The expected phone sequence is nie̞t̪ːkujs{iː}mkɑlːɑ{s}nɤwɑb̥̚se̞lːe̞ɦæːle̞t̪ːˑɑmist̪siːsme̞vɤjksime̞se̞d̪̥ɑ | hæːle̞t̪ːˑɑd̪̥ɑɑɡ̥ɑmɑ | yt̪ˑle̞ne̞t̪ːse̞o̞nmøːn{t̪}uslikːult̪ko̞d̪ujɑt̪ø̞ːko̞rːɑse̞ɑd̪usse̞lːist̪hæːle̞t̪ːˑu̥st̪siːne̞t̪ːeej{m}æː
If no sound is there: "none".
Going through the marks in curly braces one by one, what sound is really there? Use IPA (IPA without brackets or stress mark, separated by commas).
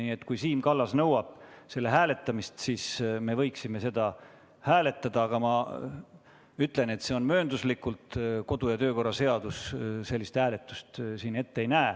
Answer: iː, s, d̪, n